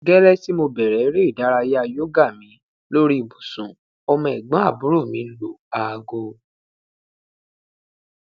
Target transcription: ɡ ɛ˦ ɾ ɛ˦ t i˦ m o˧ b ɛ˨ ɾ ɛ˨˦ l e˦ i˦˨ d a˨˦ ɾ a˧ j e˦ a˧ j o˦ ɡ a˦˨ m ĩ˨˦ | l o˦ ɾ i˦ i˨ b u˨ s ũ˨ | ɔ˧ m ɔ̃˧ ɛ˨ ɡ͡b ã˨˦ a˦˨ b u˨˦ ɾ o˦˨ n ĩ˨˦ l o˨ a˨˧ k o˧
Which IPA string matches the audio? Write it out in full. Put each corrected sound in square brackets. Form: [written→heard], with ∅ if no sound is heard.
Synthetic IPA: ɡ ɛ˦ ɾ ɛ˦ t i˦ m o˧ b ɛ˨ ɾ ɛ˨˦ [l→ɾ] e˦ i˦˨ d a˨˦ ɾ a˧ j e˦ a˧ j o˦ ɡ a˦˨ m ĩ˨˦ | l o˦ ɾ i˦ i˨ b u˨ s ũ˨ | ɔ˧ m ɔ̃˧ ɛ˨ ɡ͡b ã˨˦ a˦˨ b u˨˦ ɾ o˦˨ [n→m] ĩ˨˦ l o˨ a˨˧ [k→ɡ] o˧